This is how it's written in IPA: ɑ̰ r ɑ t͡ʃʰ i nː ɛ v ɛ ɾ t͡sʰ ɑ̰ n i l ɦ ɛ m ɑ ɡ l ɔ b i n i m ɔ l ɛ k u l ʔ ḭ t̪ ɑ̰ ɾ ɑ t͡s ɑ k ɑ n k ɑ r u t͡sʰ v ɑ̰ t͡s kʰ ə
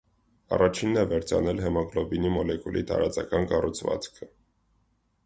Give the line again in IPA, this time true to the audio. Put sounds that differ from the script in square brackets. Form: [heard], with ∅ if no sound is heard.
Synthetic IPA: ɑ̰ r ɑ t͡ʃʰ i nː ɛ v ɛ ɾ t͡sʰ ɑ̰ n [ɛ] l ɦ ɛ m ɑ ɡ l ɔ b i n i m ɔ l ɛ k u l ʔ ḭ t̪ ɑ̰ ɾ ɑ t͡s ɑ k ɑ n k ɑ r u t͡sʰ v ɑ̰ t͡s kʰ ə